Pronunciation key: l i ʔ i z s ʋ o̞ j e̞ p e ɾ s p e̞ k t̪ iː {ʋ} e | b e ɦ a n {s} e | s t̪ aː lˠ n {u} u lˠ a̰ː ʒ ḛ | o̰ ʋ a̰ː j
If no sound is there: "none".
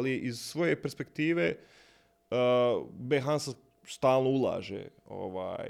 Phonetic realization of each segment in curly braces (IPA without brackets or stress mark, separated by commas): ʋ, s, o